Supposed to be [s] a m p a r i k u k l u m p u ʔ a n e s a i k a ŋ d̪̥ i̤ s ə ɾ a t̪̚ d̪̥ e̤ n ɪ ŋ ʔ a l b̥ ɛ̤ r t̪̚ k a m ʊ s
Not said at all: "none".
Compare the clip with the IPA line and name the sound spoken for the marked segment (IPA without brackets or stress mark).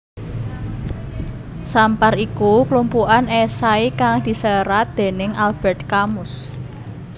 s